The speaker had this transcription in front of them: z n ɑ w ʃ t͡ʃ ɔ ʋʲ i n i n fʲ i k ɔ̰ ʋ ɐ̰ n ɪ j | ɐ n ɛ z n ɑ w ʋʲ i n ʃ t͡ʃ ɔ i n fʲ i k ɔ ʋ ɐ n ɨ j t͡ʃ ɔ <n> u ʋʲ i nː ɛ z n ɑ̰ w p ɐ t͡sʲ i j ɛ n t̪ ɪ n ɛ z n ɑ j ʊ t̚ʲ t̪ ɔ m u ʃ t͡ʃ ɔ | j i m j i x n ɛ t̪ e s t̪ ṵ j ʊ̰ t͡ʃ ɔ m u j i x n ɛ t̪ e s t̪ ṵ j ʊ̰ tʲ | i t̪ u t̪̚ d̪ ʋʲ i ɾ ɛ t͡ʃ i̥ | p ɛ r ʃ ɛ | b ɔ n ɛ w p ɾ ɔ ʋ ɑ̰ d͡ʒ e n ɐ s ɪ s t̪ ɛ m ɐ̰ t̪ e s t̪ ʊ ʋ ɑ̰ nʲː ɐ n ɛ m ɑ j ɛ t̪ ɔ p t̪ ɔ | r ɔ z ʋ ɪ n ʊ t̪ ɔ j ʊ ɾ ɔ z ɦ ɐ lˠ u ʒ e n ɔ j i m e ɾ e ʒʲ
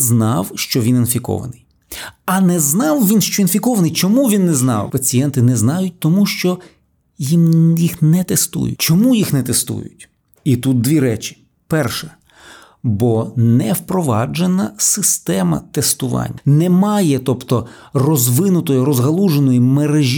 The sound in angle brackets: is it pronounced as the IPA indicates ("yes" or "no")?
no